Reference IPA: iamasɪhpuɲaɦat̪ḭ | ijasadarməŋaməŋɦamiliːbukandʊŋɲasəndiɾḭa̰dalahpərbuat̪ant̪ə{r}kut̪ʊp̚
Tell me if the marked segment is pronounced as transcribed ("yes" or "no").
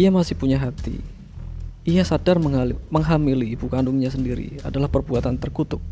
yes